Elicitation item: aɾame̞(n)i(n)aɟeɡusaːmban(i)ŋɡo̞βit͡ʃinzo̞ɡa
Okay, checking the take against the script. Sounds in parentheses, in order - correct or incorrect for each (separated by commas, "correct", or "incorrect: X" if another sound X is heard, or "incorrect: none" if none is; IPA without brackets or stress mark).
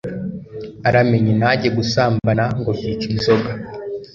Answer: incorrect: ɲ, correct, incorrect: a